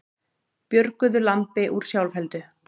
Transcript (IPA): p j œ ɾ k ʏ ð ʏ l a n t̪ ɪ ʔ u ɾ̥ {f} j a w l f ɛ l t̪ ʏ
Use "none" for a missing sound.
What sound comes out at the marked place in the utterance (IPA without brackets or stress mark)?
s